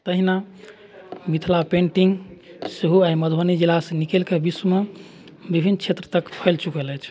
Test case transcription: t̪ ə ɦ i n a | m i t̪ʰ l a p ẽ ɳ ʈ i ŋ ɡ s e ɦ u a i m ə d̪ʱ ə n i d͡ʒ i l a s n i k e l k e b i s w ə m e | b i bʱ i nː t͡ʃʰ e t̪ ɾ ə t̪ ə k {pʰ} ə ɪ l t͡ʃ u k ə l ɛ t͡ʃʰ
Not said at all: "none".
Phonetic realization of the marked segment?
pʰ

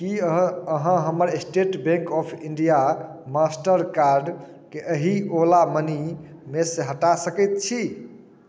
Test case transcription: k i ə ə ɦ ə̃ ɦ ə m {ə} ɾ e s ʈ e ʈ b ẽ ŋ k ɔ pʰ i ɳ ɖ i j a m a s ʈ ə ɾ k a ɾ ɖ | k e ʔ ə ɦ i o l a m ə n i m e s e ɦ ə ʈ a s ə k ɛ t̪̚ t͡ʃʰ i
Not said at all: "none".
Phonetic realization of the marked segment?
ə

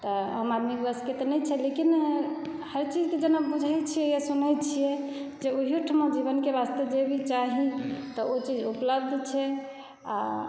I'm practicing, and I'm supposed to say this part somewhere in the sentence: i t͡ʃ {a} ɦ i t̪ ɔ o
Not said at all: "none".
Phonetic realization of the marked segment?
a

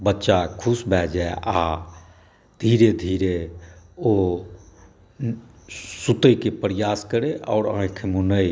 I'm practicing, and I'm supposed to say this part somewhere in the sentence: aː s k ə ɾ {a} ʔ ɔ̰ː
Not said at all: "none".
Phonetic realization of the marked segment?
e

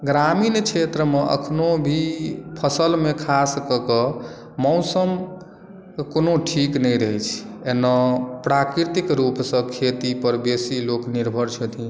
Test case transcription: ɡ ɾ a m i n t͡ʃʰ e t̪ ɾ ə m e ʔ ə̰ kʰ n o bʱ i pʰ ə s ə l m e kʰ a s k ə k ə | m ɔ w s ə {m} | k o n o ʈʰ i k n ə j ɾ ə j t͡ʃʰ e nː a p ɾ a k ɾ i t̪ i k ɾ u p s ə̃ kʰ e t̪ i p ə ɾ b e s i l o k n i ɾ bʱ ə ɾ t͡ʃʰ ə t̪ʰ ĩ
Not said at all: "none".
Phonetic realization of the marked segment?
m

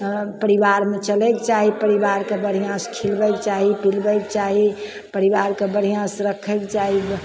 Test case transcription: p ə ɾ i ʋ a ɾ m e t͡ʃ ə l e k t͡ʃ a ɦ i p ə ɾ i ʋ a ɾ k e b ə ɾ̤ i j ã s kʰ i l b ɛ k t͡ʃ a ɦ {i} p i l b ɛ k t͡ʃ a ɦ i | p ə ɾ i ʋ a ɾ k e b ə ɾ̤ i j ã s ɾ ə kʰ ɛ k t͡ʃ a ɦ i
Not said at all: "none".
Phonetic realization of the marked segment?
i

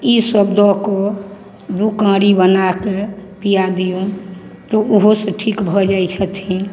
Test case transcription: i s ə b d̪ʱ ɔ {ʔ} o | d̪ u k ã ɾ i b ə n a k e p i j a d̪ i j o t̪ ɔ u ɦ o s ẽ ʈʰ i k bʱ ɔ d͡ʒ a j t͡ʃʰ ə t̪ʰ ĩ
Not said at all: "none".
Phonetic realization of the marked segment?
k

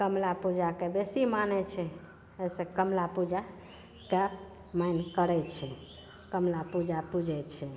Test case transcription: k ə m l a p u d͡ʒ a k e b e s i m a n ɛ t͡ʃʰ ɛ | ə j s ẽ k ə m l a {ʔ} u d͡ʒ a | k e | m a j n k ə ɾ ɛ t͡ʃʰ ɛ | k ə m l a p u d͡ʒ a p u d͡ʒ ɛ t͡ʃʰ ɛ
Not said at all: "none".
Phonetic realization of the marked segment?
p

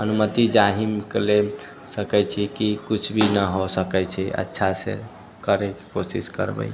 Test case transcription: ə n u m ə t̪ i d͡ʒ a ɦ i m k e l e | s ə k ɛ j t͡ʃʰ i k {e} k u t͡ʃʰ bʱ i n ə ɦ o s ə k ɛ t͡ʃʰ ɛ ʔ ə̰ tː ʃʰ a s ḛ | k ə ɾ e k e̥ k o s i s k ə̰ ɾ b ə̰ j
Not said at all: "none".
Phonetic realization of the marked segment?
i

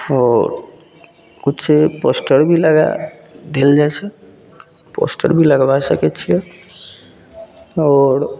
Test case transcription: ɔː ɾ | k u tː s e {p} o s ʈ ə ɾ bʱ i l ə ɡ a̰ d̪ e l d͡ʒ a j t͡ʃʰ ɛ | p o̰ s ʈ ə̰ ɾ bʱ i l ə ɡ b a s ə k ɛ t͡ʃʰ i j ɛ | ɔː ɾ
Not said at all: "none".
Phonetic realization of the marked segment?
p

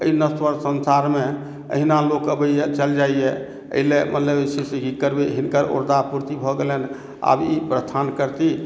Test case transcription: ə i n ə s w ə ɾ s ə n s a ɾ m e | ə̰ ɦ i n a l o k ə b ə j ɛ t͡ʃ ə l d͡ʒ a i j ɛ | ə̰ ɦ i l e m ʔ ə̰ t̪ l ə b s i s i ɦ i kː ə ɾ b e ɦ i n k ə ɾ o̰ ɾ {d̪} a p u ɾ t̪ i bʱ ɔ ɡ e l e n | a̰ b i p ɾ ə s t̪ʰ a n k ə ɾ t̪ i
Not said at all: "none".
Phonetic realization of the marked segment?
d̪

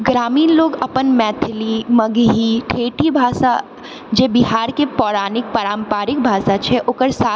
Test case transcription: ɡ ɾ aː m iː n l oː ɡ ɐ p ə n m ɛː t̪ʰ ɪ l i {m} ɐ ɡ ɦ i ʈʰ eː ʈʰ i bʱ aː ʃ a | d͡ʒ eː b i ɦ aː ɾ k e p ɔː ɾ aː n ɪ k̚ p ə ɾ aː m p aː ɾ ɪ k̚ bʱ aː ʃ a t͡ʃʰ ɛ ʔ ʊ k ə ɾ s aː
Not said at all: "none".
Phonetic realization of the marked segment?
m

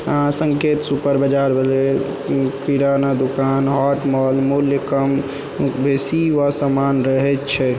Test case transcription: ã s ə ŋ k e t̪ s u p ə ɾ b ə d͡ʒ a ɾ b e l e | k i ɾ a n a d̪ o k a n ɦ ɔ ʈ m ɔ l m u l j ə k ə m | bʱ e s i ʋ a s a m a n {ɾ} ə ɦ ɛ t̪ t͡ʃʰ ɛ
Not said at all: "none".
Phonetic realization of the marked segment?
ɾ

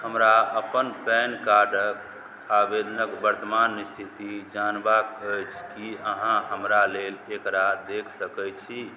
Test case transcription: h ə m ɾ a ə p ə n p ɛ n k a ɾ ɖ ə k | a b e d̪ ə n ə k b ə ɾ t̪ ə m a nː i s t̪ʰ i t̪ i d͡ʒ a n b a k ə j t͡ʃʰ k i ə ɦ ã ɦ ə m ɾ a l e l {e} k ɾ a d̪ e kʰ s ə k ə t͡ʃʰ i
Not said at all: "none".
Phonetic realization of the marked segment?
e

